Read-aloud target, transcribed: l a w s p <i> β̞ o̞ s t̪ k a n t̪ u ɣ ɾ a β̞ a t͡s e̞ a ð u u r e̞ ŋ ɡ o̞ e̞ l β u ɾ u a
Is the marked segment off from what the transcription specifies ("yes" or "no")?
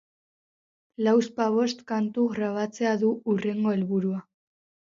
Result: yes